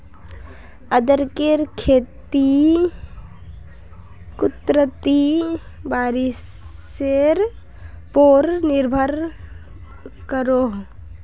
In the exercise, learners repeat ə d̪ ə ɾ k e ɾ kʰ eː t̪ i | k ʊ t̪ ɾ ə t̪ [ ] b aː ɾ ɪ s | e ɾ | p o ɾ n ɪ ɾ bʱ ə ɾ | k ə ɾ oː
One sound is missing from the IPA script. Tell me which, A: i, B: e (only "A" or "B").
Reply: A